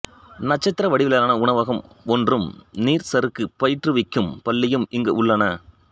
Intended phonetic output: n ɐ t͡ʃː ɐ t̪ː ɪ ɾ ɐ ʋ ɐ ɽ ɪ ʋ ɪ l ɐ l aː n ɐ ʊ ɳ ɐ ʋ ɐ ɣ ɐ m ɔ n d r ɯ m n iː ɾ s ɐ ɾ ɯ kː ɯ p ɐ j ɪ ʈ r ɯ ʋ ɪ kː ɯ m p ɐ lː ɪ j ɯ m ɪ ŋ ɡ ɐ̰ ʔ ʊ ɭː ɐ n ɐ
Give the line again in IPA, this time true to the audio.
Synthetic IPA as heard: n ɐ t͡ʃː ɐ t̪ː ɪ ɾ ɐ ʋ ɐ ɽ ɪ ʋ ɪ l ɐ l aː n ɐ ʊ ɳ ɐ ʋ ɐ ɣ ɐ m ɔ n d r ɯ m n iː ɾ s ɐ ɾ ɯ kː ɯ p ɐ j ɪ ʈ r ɯ ʋ ɪ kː ɯ m p ɐ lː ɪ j ɯ m ɪ ŋ ɡ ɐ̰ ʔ ʊ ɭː ɐ n ɐ

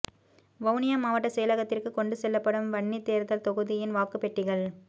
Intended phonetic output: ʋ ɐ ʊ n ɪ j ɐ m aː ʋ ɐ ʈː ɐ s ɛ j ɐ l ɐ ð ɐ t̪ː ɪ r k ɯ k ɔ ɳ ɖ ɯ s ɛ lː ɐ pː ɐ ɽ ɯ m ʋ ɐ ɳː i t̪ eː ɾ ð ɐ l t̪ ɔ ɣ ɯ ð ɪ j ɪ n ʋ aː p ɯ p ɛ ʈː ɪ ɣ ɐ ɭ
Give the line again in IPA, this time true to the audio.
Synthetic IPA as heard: ʋ ɐ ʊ n ɪ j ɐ m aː ʋ ɐ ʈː ɐ s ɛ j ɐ l ɐ ɣ ɐ t̪ː ɪ r k ɯ k ɔ ɳ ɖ ɯ s ɛ lː ɐ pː ɐ ɽ ɯ m ʋ ɐ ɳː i t̪ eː ɾ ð ɐ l t̪ ɔ ɣ ɯ ð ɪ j ɪ n ʋ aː k ɯ p ɛ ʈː ɪ ɣ ɐ ɭ

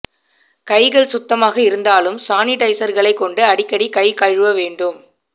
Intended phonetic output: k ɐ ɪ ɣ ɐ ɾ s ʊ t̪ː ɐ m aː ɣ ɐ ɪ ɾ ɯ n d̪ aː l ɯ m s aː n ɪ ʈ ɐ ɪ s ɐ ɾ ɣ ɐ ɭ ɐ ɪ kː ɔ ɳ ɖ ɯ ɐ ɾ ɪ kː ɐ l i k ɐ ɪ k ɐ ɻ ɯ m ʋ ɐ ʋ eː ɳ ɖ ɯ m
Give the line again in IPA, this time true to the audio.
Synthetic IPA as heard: k ɐ ɪ ɣ ɐ ɭ s ʊ t̪ː ɐ m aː ɣ ɐ ɪ ɾ ɯ n d̪ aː l ɯ m s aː n ɪ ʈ ɐ ɪ s ɐ ɾ ɣ ɐ ɭ ɐ ɪ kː ɔ ɳ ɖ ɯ ɐ ɽ ɪ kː ɐ ɽ i k ɐ ɪ k ɐ ɻ ɯ ʋ ɐ ʋ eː ɳ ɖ ɯ m

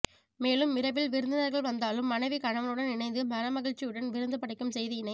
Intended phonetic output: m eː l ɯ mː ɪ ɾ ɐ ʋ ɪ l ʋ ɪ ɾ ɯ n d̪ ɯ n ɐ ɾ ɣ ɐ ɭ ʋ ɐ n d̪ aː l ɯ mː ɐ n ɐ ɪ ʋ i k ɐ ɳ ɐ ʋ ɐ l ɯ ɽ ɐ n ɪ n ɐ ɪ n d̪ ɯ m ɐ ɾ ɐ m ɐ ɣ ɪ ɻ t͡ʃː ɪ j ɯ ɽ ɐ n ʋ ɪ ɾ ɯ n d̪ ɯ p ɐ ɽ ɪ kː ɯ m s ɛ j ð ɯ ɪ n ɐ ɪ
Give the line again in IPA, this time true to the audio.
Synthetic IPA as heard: m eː l ɯ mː ɪ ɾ ɐ ʋ ɪ l ʋ ɪ ɾ ɯ n d̪ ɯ n ɐ ɾ ɣ ɐ ɭ ʋ ɐ n d̪ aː l ɯ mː ɐ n ɐ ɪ ʋ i k ɐ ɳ ɐ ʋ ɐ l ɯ ɽ ɐ n ɪ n ɐ ɪ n d̪ ɯ m ɐ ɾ ɐ m ɐ ɣ ɪ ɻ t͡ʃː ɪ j ɯ ɽ ɐ n ʋ ɪ ɾ ɯ n d̪ ɯ p ɐ ɽ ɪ kː ɯ m s ɛ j ð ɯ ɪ n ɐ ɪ

